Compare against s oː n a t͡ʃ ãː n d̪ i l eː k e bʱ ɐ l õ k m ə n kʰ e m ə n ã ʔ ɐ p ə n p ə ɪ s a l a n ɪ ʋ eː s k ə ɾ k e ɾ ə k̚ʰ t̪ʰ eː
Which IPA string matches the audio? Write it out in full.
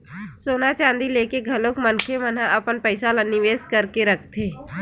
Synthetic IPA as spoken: s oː n a t͡ʃ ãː n d̪ i l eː k e ɡʱ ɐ l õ k m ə n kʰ e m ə n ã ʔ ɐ p ə n p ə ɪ s a l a n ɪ ʋ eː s k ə ɾ k e ɾ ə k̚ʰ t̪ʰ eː